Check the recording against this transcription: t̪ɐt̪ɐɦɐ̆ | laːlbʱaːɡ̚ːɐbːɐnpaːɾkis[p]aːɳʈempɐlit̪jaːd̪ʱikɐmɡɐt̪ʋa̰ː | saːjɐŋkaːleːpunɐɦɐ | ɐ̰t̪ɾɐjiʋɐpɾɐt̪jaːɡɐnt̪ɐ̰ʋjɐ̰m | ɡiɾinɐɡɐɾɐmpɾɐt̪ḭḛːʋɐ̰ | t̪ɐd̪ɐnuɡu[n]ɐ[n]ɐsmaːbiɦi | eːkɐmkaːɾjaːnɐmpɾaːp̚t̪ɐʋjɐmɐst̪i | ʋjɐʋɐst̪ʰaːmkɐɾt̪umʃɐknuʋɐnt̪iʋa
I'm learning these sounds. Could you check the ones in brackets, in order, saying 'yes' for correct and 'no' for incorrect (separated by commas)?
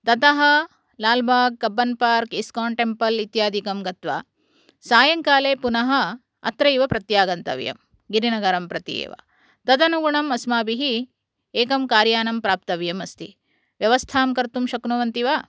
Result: no, no, no